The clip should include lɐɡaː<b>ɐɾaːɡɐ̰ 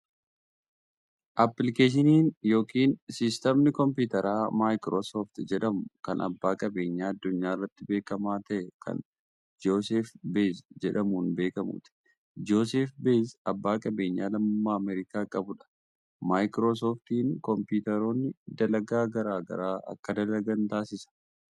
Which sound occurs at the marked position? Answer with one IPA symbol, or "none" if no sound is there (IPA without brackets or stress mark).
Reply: ɡ